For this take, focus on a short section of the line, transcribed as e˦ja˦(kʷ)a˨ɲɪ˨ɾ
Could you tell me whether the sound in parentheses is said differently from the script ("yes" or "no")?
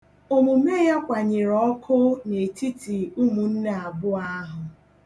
no